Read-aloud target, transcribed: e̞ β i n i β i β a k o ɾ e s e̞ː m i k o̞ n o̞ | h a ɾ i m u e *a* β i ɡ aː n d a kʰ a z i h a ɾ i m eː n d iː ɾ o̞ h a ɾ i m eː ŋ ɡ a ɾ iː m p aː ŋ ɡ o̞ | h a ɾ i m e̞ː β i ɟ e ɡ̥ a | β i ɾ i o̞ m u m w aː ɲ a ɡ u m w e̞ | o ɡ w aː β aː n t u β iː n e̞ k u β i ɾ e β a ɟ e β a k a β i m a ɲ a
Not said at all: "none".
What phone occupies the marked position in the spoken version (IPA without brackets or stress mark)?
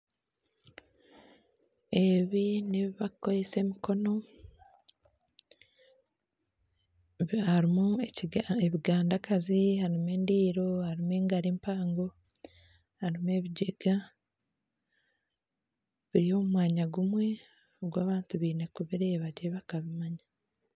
e